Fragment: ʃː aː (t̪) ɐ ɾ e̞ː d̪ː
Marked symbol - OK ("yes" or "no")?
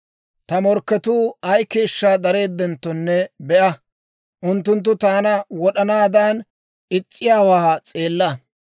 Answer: no